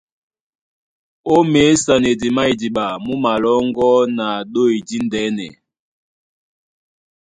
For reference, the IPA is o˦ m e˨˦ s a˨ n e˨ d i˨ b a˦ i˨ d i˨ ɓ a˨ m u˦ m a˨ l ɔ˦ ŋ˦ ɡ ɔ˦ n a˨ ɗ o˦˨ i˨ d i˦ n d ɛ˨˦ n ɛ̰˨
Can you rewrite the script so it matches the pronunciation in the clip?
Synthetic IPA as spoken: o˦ m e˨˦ s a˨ n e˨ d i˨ m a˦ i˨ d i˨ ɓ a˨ m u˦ m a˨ l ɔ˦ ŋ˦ ɡ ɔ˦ n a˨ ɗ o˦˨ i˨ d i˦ n d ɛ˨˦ n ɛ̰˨